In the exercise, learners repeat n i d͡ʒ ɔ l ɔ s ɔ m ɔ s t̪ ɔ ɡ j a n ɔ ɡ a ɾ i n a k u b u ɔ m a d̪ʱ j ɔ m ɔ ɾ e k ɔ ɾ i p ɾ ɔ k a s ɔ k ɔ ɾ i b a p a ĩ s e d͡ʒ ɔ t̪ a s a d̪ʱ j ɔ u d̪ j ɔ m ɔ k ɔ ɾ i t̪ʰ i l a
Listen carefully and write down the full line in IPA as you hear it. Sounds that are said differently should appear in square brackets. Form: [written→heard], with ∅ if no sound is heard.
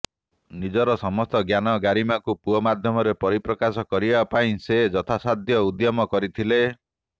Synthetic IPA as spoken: n i d͡ʒ ɔ [l→ɾ] ɔ s ɔ m ɔ s t̪ ɔ ɡ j a n ɔ ɡ a ɾ i [n→m] a k u [b→p] u ɔ m a d̪ʱ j ɔ m ɔ ɾ e [k→p] ɔ ɾ i p ɾ ɔ k a s ɔ k ɔ ɾ i b a p a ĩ s e d͡ʒ ɔ [t̪→t̪ʰ] a s a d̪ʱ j ɔ u d̪ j ɔ m ɔ k ɔ ɾ i t̪ʰ i l [a→e]

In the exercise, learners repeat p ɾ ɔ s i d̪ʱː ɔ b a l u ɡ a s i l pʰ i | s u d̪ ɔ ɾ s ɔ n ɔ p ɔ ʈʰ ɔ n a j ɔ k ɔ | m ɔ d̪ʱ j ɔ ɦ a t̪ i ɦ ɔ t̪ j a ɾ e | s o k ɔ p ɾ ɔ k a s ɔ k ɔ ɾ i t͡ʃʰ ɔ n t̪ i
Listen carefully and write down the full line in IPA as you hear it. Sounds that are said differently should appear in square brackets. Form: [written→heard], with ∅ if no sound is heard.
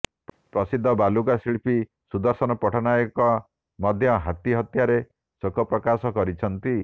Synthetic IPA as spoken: p ɾ ɔ s i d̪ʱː ɔ b a l u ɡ a s i [l→ɭ] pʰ i | s u d̪ ɔ ɾ s ɔ n ɔ p ɔ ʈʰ ɔ n a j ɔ k ɔ | m ɔ d̪ʱ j ɔ ɦ a t̪ i ɦ ɔ t̪ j a ɾ e | s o k ɔ p ɾ ɔ k a s ɔ k ɔ ɾ i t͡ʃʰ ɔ n t̪ i

